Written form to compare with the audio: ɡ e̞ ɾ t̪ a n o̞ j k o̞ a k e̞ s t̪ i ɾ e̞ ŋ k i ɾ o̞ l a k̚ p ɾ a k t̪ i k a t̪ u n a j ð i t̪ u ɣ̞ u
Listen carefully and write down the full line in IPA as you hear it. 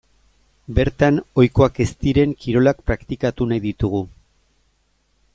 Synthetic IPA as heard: b e̞ ɾ t̪ a n o̞ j k o̞ a k e̞ s t̪ i ɾ e̞ ŋ k i ɾ o̞ l a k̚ p ɾ a k t̪ i k a t̪ u n a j ð i t̪ u ɣ̞ u